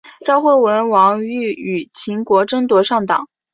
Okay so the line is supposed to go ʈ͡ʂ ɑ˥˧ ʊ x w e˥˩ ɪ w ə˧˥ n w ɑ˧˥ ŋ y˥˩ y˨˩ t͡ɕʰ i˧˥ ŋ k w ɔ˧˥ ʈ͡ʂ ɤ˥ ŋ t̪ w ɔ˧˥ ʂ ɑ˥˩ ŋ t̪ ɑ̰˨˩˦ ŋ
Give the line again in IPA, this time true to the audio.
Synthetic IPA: ʈ͡ʂ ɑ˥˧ ʊ x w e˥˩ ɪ w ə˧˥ n w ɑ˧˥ ŋ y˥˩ y˨˩ t͡ɕʰ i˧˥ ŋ k w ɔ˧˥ ʈ͡ʂ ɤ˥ ŋ t̪ w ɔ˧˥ ʂ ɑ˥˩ ŋ t̪ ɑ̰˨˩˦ ŋ